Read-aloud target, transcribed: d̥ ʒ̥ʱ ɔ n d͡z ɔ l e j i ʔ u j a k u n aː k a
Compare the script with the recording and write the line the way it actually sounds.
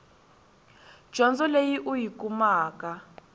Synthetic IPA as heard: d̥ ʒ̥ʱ ɔ n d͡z ɔ l e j i ʔ u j i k u m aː k a